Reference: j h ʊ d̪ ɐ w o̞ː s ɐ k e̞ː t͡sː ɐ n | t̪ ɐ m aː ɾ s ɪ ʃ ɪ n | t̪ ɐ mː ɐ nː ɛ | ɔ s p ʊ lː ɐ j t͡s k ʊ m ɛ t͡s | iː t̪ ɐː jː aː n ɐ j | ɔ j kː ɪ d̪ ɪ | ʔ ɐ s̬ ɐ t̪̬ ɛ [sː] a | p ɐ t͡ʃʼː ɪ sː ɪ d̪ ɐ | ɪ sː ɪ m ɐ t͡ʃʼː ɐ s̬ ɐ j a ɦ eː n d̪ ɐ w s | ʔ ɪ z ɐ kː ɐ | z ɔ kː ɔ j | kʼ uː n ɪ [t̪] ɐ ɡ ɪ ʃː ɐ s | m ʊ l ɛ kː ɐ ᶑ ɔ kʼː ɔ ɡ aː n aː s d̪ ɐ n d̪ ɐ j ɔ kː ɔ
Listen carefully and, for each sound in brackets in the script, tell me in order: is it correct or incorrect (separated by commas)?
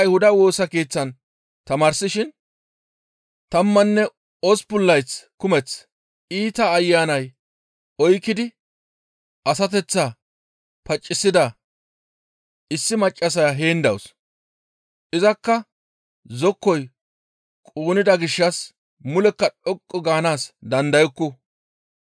incorrect, incorrect